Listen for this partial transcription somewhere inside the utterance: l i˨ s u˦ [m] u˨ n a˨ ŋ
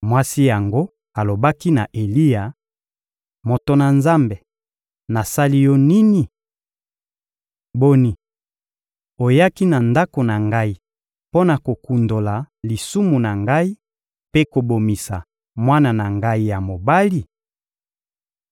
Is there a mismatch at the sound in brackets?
no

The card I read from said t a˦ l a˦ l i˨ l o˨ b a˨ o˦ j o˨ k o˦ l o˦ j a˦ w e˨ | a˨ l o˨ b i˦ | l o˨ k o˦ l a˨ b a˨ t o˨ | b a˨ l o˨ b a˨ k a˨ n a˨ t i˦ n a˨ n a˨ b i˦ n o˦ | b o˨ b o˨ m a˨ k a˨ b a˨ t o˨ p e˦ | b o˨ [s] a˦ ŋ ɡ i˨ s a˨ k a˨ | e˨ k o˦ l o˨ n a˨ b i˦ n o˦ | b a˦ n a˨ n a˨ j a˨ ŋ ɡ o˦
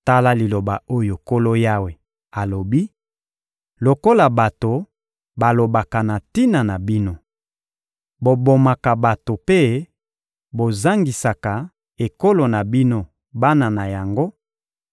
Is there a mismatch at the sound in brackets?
yes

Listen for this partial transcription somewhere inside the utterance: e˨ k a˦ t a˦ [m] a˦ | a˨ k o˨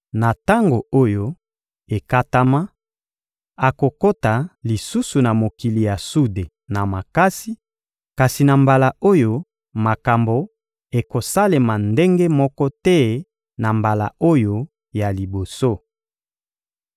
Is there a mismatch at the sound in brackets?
no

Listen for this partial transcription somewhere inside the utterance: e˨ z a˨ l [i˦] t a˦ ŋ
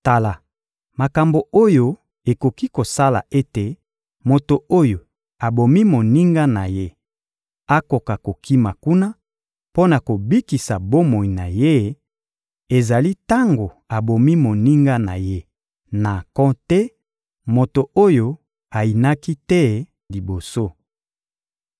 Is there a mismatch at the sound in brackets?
no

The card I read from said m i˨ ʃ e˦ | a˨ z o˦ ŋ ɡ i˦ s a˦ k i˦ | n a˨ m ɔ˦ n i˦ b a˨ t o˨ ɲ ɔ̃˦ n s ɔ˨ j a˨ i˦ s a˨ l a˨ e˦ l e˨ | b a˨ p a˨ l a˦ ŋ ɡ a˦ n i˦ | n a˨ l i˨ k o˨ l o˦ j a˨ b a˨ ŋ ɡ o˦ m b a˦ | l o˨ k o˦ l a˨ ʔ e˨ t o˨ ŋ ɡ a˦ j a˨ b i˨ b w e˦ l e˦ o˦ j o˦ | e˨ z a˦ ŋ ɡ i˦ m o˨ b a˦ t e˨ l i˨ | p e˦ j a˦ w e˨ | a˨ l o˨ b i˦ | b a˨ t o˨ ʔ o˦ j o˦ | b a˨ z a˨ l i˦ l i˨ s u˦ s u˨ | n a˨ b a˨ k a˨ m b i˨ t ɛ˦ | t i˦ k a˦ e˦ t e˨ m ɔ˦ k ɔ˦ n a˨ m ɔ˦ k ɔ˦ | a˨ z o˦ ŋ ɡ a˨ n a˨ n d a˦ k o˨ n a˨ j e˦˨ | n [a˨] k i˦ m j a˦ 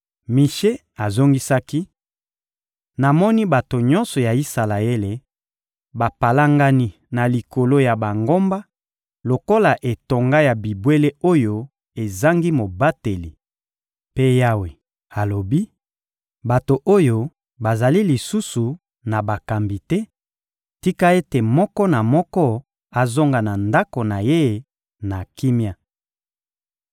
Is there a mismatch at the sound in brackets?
no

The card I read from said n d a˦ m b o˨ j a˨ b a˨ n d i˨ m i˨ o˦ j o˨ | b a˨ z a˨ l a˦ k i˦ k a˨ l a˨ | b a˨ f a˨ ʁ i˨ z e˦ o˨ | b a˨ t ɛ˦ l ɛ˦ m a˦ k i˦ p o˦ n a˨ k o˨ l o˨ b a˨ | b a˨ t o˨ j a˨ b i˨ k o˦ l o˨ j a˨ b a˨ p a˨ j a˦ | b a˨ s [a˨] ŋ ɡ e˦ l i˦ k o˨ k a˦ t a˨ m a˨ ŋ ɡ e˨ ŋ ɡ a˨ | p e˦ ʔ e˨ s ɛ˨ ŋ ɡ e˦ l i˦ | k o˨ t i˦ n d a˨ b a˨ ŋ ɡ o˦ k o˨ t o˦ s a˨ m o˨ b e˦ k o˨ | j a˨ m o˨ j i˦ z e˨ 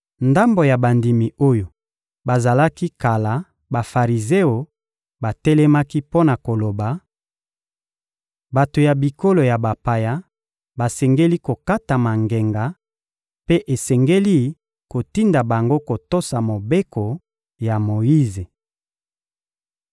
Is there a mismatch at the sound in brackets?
yes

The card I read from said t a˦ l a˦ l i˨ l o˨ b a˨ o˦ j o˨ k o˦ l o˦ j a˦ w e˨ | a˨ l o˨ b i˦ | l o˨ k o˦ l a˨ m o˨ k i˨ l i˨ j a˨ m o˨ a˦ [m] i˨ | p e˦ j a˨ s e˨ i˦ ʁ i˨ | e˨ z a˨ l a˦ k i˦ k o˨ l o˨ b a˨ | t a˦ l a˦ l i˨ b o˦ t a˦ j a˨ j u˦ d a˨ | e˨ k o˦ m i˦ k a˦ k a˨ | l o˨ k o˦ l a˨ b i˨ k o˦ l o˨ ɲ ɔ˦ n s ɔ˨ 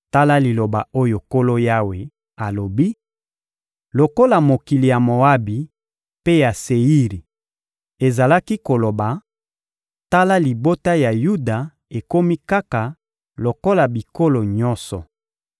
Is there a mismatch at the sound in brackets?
yes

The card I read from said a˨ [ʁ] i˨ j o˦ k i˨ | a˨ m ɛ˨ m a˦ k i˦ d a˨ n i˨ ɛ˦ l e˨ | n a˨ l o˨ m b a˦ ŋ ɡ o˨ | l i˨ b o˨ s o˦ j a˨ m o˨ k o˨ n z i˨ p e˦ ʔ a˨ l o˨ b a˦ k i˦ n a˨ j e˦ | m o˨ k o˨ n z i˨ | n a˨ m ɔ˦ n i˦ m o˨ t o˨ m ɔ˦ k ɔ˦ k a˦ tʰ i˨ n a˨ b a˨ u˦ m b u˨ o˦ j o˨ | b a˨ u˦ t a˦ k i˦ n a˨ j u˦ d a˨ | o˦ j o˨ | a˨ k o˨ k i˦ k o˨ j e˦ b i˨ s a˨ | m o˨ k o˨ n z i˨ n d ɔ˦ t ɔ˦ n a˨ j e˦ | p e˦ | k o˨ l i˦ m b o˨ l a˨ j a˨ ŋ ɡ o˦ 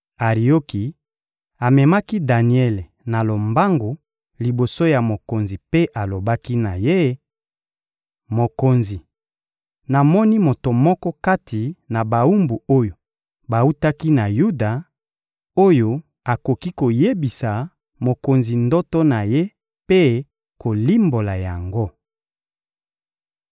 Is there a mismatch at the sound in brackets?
no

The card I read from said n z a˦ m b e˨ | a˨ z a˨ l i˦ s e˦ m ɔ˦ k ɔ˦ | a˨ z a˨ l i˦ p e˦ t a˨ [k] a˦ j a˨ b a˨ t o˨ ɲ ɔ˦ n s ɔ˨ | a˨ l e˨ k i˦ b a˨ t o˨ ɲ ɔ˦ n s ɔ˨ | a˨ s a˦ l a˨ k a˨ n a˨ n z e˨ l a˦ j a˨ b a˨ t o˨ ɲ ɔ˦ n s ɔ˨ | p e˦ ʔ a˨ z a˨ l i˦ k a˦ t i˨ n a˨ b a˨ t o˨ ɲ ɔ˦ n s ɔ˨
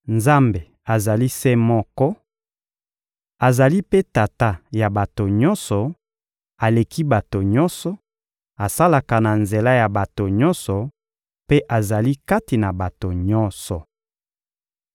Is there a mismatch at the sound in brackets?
yes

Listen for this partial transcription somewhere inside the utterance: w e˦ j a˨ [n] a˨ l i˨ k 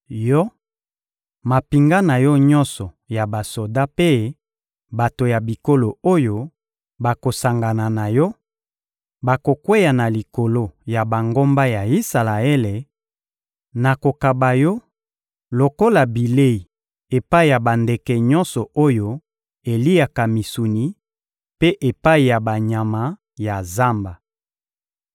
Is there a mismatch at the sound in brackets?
no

